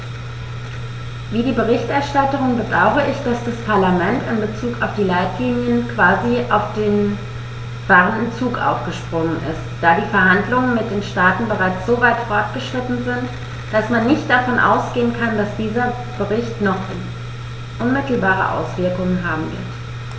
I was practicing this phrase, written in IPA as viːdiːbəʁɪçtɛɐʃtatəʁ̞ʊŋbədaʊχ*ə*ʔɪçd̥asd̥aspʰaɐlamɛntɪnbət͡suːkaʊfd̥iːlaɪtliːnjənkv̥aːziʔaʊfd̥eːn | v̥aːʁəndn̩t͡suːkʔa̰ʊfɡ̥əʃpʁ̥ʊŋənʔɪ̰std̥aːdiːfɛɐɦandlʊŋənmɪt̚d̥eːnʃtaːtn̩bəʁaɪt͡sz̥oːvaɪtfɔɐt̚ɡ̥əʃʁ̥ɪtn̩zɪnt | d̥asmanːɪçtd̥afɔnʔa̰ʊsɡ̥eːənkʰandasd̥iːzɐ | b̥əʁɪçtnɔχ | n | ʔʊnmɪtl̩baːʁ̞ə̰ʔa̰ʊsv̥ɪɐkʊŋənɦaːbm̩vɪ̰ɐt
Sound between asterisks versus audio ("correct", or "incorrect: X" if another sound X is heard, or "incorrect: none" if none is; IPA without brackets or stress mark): correct